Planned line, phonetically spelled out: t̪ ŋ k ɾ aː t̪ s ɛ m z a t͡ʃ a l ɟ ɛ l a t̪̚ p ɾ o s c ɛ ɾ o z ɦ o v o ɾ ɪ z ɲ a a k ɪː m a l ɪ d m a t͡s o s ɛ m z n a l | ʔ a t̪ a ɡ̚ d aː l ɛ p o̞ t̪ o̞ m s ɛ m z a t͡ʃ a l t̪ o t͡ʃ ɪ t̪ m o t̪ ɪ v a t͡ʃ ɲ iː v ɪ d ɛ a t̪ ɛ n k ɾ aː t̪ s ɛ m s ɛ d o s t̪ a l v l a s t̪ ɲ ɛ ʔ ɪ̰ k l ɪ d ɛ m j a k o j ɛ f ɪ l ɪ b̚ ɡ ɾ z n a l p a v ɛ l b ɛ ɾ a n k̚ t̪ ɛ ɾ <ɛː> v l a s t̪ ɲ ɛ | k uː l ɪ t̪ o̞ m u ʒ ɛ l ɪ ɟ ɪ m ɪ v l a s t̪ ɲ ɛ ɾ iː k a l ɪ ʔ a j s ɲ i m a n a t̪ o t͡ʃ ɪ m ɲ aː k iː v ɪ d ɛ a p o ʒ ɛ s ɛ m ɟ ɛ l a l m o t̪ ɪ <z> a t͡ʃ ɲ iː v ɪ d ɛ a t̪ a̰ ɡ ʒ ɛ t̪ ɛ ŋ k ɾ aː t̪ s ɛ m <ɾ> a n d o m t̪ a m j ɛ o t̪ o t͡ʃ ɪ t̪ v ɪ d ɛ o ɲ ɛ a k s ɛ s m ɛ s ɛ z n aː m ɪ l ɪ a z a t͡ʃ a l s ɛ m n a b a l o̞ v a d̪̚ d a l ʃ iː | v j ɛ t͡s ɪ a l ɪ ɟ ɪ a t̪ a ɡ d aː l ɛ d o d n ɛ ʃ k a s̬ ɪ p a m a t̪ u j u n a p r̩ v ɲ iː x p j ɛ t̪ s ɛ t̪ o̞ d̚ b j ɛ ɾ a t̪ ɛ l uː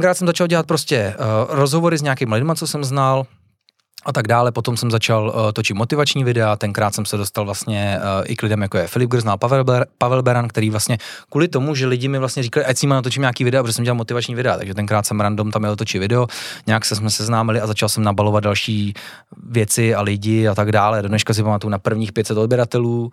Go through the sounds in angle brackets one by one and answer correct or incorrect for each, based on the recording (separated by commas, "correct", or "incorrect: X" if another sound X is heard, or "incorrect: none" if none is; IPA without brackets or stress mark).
incorrect: iː, incorrect: v, correct